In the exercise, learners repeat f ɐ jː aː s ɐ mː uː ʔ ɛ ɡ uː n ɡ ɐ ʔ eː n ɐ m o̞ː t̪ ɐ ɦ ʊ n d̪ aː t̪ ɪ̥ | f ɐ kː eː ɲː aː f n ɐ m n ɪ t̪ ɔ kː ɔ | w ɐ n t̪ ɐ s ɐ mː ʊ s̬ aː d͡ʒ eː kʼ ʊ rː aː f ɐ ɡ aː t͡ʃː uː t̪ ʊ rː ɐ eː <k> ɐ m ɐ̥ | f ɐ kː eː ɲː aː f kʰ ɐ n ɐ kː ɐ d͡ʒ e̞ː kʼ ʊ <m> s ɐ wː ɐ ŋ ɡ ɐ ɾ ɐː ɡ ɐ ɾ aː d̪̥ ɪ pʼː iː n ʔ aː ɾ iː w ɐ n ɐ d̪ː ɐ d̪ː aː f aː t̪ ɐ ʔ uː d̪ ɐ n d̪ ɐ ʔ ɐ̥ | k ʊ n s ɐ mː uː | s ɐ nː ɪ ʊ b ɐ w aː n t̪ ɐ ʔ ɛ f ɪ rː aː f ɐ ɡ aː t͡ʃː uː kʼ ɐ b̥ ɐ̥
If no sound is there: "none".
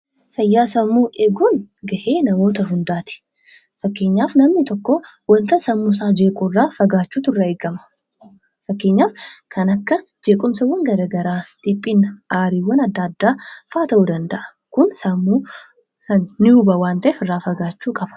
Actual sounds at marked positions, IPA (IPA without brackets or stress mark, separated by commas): ɡ, m